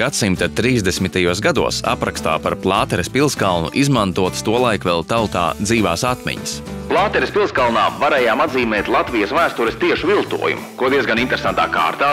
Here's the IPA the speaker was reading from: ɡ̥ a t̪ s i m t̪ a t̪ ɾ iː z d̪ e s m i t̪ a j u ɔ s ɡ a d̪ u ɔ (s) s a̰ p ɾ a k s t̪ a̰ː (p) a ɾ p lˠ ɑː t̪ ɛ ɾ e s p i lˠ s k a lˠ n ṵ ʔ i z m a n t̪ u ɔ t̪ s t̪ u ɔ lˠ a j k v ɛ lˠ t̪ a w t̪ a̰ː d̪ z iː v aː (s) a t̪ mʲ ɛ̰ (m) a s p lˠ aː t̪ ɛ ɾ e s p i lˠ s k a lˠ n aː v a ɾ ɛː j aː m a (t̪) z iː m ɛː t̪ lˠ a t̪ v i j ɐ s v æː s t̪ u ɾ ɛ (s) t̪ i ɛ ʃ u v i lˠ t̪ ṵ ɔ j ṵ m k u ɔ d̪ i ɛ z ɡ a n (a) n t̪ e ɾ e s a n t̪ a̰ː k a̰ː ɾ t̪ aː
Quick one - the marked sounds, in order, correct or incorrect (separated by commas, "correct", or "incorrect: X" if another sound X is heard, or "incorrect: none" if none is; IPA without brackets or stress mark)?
correct, correct, correct, incorrect: ɲ, incorrect: d̪, correct, incorrect: i